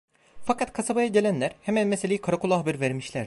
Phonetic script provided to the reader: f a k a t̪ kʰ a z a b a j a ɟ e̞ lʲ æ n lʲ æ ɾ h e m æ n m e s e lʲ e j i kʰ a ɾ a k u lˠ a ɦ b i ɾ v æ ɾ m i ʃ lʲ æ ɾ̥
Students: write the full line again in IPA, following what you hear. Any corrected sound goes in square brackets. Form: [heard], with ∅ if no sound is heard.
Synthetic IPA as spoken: f a k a t̪ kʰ a [s] a b a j a ɟ e̞ lʲ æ n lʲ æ ɾ h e m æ n m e s e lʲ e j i kʰ a ɾ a k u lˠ a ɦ b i ɾ v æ ɾ m i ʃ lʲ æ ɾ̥